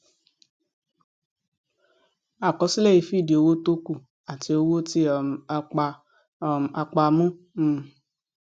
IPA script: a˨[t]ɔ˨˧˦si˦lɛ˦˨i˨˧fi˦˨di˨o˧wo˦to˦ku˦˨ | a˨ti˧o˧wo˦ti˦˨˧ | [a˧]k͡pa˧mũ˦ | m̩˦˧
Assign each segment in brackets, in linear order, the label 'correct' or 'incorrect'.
incorrect: k, correct

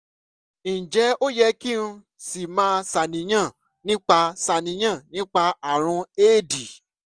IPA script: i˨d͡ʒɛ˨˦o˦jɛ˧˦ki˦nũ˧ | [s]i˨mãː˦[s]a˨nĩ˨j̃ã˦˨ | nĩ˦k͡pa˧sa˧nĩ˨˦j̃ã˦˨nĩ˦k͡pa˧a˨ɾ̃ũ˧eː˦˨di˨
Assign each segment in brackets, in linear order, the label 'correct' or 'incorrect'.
correct, correct

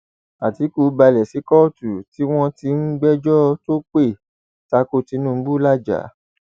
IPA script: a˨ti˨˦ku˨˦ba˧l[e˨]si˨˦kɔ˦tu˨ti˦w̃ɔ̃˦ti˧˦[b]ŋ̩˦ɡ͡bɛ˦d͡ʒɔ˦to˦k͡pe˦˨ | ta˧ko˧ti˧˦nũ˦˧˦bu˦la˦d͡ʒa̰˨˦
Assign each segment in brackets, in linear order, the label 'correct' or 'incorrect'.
incorrect: ɛ˨, incorrect: none

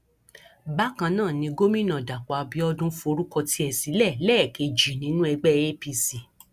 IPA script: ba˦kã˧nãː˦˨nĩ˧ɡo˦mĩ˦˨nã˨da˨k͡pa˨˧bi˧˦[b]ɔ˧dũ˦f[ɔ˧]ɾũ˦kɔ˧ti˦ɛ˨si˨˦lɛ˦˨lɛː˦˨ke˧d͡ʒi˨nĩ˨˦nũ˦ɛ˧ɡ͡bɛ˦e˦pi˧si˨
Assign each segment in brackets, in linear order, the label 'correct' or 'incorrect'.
incorrect: none, incorrect: o˧

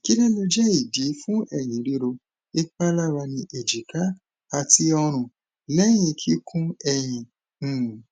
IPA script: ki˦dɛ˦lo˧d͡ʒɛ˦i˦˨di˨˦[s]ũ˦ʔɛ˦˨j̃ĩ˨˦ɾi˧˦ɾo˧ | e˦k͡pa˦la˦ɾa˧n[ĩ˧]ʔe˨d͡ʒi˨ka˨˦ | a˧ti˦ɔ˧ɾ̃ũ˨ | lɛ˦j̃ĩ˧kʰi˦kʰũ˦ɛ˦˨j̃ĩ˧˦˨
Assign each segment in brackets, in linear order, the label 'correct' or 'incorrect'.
incorrect: f, correct

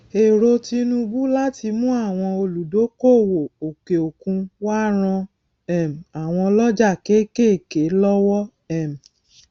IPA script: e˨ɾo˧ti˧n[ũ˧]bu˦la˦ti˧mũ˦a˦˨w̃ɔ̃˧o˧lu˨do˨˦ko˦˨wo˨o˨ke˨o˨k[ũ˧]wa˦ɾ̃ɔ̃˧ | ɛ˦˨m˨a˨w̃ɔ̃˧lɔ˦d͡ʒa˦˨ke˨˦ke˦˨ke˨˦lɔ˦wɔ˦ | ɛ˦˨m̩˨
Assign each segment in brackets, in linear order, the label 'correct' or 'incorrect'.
correct, correct

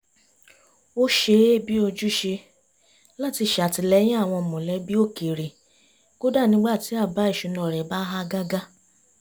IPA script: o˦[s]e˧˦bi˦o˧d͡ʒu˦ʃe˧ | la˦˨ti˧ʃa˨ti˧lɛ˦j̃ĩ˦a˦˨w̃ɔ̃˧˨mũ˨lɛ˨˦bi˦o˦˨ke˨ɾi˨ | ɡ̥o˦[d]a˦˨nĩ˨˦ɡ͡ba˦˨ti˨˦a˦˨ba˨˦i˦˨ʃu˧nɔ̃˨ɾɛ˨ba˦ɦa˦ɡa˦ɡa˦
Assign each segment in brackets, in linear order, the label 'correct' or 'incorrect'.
incorrect: ʃ, correct

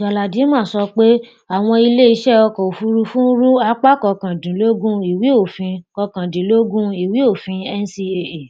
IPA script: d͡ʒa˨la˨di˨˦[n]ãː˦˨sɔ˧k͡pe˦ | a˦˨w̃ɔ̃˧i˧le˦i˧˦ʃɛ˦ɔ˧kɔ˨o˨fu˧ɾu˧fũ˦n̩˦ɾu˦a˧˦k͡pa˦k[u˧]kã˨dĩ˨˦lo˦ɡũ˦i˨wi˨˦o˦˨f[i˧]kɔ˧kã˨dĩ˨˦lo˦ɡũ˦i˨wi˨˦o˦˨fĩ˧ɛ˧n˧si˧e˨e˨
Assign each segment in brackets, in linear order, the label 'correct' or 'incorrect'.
incorrect: m, incorrect: ɔ˧, incorrect: ĩ˧

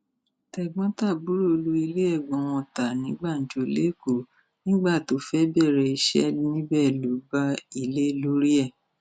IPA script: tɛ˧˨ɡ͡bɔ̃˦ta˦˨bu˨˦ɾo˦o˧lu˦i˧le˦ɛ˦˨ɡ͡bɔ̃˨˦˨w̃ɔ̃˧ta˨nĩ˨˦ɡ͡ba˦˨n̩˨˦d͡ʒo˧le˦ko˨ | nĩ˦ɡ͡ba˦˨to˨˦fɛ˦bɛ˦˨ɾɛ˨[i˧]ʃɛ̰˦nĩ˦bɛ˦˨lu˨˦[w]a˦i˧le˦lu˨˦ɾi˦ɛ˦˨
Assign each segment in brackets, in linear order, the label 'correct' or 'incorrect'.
correct, incorrect: b

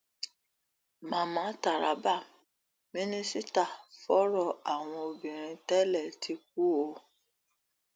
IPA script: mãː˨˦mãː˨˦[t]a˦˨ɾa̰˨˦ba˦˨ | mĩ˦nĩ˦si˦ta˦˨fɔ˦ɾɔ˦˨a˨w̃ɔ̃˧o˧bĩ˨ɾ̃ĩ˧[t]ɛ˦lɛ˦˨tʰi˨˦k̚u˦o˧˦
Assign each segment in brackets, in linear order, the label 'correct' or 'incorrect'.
correct, correct

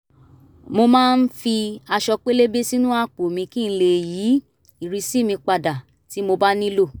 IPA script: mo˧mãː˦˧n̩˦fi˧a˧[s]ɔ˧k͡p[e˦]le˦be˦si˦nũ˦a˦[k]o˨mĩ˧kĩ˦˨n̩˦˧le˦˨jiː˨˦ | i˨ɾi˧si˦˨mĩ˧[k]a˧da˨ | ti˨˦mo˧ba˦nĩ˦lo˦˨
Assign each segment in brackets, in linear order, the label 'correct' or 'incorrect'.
incorrect: ʃ, correct, incorrect: k͡p, incorrect: k͡p

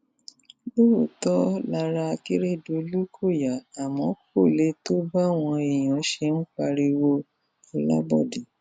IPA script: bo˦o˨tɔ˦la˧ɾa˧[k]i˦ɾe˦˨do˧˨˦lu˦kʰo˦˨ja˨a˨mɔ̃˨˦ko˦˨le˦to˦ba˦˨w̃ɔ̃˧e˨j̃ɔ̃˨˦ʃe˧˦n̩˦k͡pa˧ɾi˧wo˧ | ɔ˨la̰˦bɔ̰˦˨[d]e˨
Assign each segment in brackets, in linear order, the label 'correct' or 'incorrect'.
correct, correct

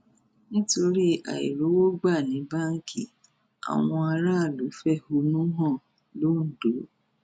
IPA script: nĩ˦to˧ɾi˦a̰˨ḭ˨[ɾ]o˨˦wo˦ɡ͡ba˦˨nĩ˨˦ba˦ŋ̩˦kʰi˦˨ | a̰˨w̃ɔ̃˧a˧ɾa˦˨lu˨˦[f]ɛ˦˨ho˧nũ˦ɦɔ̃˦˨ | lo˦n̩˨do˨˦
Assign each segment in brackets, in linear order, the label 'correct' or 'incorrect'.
correct, correct

